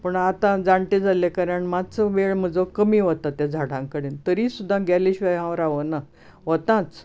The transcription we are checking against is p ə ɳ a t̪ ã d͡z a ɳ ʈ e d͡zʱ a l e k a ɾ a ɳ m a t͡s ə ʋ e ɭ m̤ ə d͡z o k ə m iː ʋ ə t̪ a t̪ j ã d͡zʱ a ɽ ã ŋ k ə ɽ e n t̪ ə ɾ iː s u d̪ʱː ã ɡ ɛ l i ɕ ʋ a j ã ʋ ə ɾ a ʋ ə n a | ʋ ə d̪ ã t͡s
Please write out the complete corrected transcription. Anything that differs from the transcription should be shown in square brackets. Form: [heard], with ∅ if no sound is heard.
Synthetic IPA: p ə ɳ a t̪ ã d͡z a ɳ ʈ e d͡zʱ a l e k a ɾ a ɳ m a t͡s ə ʋ e ɭ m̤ ə d͡z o k ə m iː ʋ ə t̪ a t̪ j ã d͡zʱ a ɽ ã ŋ k ə ɽ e n t̪ ə ɾ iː s u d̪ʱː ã ɡ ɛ l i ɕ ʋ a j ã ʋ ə ɾ a ʋ ə n a | ʋ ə [t̪] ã t͡s